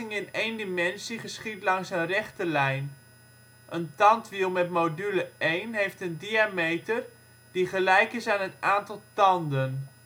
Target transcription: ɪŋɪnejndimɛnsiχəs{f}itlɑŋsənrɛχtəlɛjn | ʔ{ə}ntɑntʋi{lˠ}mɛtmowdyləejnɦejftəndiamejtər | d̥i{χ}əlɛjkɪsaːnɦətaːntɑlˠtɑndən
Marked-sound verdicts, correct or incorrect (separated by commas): incorrect, correct, correct, correct